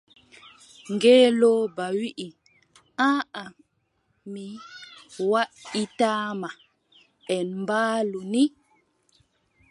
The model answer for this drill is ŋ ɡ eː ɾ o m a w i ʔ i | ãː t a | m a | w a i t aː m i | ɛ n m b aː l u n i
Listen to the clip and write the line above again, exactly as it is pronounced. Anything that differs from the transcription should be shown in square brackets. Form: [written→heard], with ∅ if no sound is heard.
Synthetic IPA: ŋ ɡ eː [ɾ→l] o [m→b] a w i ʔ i | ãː [t→∅] a | m [a→i] | w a i t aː m [i→a] | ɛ n m b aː l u n i